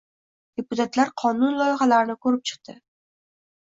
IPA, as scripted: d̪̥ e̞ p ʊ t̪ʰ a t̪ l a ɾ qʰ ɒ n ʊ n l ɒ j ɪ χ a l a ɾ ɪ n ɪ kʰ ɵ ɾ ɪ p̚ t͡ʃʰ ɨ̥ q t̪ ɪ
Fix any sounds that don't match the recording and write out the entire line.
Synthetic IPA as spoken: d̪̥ e̞ p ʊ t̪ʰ a t̪ l a ɾ qʰ ɒ n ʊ n l ɒ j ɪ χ a l a ɾ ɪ n ɪ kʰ ɵ ɾ ɪ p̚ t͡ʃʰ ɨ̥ q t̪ ɪ